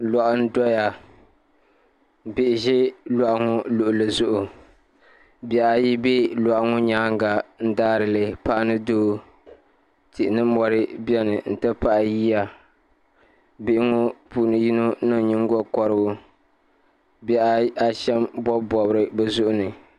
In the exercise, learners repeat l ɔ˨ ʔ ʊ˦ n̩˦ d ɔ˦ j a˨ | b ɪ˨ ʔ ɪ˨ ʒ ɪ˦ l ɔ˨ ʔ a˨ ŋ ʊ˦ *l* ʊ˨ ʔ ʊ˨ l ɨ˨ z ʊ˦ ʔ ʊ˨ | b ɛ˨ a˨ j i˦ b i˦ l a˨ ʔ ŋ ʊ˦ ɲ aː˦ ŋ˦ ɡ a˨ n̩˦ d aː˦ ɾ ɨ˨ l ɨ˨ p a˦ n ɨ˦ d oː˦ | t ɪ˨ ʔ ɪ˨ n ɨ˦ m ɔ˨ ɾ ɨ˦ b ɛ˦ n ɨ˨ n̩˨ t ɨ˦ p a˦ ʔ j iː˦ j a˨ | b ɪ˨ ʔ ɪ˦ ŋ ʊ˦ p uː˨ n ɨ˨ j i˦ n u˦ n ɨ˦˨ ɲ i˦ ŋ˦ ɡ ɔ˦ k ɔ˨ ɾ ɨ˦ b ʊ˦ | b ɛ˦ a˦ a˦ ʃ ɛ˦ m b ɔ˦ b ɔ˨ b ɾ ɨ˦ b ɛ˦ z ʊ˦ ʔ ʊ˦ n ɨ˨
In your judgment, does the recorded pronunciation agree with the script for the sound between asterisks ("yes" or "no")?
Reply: yes